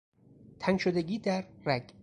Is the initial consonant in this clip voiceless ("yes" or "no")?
yes